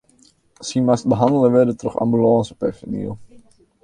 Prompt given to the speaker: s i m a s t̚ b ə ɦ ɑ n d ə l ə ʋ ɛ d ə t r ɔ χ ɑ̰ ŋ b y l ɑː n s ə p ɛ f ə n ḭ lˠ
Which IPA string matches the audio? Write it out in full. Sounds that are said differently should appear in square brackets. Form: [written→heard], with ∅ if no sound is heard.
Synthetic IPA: s i m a s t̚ b ə ɦ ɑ n d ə l ə ʋ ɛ d ə t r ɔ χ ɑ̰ [ŋ→m] b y l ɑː n s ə p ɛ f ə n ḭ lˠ

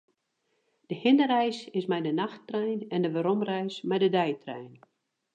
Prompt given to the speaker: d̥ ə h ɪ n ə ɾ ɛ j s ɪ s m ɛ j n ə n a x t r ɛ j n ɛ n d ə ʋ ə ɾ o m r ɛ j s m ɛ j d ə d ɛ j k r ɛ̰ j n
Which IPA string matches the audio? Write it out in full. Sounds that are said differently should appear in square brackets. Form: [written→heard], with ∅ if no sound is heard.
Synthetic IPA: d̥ ə h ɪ n ə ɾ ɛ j s ɪ s m ɛ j [n→d] ə n a x t r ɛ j n ɛ n d ə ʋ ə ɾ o m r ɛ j s m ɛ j d ə d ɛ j [k→t] r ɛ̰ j n

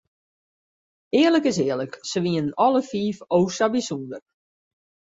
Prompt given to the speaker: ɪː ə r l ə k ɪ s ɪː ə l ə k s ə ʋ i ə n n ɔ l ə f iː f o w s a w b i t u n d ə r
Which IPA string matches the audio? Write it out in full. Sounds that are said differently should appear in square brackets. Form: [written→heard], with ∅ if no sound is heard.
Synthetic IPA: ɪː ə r l ə k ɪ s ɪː ə l ə k s ə ʋ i ə n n ɔ l ə f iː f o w s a [w→∅] b i [t→s] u n d ə r

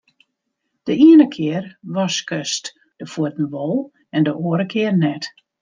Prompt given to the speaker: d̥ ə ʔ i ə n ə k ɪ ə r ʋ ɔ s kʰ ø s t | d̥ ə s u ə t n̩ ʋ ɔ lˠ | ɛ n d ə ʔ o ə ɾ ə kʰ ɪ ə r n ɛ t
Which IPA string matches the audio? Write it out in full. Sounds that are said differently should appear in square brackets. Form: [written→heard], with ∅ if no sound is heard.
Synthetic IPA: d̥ ə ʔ i ə n ə [k→kʰ] ɪ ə r ʋ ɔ s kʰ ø s t | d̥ ə [s→f] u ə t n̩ ʋ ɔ lˠ | ɛ n d ə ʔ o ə ɾ ə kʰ ɪ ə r n ɛ t

